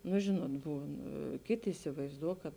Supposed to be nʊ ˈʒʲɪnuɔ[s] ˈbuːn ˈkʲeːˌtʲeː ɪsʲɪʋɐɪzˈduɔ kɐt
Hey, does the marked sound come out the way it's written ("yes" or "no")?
no